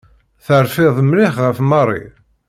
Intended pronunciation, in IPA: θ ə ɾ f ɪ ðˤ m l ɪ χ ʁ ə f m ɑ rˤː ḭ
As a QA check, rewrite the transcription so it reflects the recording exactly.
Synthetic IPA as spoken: θ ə ɾ f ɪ ðˤ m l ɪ χ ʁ ə f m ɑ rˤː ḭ